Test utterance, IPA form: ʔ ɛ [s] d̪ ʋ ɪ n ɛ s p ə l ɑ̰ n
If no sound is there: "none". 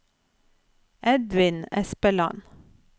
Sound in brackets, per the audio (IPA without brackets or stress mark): none